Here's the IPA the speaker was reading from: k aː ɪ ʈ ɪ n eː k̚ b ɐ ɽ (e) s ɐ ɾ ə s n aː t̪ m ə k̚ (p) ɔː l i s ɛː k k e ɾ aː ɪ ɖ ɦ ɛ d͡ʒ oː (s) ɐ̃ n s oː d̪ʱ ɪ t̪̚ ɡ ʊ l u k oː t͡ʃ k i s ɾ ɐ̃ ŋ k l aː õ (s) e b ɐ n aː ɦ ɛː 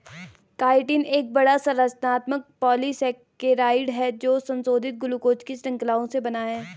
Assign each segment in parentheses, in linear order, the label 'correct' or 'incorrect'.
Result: incorrect, correct, correct, correct

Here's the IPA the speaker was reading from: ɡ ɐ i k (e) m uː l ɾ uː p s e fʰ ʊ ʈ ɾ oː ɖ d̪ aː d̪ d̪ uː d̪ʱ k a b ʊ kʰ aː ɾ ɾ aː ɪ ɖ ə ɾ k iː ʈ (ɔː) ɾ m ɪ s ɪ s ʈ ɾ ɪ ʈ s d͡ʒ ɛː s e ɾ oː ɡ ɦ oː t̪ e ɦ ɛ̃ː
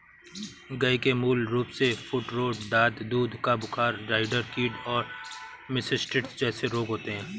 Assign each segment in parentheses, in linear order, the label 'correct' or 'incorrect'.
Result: correct, correct

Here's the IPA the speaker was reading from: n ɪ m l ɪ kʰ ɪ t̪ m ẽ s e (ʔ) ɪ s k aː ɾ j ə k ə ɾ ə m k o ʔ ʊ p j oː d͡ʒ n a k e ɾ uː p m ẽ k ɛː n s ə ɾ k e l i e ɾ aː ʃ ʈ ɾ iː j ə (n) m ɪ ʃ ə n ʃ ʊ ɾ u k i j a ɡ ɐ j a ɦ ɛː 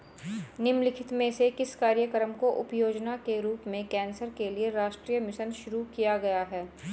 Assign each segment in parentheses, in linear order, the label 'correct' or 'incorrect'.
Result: incorrect, incorrect

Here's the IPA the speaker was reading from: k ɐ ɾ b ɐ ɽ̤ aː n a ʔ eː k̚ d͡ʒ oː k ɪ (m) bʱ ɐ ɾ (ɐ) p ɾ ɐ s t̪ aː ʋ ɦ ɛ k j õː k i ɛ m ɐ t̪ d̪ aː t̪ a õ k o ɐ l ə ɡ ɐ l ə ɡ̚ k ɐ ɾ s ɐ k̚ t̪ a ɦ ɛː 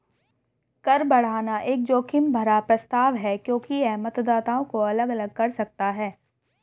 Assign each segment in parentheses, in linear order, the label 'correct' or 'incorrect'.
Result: correct, incorrect

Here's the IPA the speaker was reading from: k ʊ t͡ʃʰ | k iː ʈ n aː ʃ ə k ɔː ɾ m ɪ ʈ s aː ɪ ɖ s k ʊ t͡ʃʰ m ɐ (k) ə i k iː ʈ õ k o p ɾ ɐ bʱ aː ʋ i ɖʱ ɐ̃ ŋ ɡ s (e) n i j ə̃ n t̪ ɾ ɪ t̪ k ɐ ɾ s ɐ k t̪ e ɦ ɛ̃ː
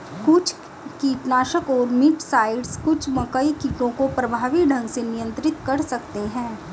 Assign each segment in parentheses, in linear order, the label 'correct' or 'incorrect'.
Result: correct, correct

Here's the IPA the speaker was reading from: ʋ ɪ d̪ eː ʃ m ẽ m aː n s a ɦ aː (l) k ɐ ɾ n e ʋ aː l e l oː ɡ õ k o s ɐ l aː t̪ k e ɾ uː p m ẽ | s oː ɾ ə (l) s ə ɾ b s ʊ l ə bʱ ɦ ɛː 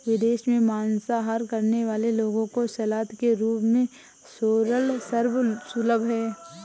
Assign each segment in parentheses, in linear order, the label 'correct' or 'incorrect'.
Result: incorrect, correct

